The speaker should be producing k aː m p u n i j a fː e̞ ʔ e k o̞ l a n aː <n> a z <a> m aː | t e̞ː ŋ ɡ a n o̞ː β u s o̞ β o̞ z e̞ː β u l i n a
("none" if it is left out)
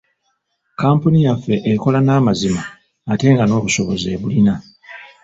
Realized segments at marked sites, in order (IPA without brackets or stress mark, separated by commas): m, i